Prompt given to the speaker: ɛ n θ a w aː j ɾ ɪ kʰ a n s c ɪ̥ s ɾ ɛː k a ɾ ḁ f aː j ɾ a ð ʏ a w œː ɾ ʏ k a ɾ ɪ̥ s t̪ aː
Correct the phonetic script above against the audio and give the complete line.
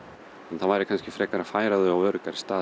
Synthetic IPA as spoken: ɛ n θ a v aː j ɾ ɪ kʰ a n s c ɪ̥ f ɾ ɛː k a ɾ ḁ f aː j ɾ a ð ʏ a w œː ɾ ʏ k a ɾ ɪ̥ s t̪ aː